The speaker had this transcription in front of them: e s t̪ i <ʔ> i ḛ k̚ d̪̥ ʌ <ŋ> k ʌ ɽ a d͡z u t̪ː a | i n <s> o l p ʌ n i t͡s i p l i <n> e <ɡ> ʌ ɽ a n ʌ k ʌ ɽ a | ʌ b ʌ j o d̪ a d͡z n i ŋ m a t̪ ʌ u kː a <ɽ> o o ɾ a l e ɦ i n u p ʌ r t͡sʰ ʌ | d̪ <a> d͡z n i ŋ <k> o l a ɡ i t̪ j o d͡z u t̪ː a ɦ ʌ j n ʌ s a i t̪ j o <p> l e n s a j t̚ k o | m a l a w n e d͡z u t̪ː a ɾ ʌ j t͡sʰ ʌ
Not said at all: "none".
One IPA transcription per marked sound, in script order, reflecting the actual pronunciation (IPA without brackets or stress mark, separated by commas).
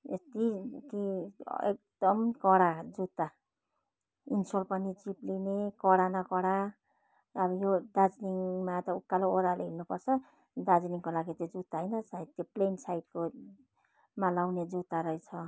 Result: k, m, s, n, k, l, a, k, p